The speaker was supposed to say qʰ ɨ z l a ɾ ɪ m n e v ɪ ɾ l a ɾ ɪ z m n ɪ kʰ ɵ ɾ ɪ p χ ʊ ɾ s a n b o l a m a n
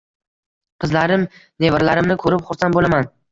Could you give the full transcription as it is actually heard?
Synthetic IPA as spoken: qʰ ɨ z l a ɾ ɪ m n e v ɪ ɾ l a ɾ ɪ m n ɪ kʰ ɵ ɾ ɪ p χ ʊ ɾ s a n b o l a m a n